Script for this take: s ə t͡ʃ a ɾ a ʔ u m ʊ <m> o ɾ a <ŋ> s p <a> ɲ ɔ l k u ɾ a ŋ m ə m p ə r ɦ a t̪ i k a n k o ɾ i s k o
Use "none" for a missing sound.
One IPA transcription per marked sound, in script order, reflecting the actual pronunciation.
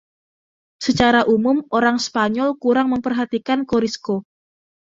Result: m, ŋ, a

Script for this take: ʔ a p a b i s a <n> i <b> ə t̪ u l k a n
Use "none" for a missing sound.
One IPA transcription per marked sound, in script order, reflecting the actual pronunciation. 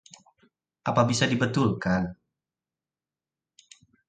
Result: d, b

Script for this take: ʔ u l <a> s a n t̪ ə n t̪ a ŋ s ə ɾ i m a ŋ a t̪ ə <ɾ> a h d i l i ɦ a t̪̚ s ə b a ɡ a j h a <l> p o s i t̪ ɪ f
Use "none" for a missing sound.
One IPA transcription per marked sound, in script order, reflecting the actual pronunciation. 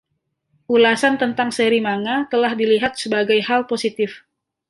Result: a, l, l

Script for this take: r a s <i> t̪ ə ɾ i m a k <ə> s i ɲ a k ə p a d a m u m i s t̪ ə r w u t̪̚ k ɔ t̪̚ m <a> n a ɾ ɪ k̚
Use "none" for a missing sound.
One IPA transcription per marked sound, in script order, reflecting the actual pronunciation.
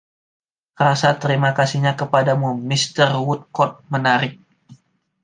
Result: a, a, ə

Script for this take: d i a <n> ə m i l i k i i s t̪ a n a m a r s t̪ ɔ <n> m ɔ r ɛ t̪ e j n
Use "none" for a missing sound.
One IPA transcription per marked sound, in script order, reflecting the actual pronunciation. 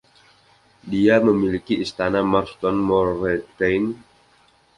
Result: m, n

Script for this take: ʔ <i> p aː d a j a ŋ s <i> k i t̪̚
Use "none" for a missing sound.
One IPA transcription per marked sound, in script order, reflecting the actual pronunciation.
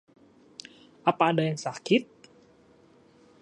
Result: a, a

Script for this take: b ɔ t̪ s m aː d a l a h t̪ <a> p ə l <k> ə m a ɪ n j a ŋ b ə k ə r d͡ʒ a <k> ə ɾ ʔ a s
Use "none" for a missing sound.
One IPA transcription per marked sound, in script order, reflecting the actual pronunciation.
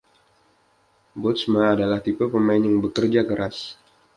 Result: i, p, k

